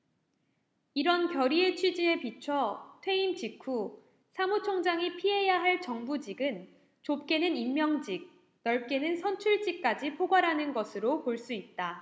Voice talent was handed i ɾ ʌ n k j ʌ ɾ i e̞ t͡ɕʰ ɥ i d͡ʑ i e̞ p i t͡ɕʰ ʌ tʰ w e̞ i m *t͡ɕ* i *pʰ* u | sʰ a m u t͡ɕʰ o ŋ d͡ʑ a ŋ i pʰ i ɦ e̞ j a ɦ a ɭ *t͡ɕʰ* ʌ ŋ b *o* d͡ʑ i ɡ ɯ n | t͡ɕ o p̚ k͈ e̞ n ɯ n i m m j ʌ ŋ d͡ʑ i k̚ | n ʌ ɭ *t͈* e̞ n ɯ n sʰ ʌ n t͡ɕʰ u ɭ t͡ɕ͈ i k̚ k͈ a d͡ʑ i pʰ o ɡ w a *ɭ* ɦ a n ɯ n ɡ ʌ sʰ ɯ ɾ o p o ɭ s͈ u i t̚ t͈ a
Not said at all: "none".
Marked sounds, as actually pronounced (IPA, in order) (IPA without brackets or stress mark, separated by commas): t͡ɕ, kʰ, t͡ɕ, u, k͈, ɾ